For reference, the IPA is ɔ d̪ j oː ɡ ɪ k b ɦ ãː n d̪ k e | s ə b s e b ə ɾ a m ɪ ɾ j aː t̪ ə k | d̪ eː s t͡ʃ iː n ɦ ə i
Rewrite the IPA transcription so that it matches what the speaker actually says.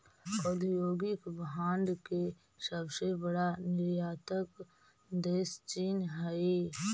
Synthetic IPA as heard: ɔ d̪ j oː ɡ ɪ k b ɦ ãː n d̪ k e | s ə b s e b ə ɽ a n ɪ ɾ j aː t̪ ə k | d̪ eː s t͡ʃ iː n ɦ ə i